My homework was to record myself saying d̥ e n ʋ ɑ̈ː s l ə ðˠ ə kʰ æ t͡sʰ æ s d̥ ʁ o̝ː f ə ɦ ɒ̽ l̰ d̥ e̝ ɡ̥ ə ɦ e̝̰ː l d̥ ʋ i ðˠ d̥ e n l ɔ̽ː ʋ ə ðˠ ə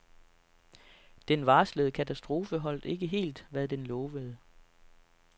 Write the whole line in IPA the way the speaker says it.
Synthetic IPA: d̥ e n ʋ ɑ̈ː s l ə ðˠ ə kʰ æ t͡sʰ æ s d̥ ʁ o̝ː f ə ɦ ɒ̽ l̰ d̥ e̝ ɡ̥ ə ɦ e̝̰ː l d̥ ʋ æ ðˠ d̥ e n l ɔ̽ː ʋ ə ðˠ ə